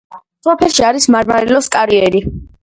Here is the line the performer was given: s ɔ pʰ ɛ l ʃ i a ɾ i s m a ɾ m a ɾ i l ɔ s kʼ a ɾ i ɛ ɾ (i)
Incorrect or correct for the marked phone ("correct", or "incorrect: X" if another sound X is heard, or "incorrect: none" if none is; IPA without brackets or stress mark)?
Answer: correct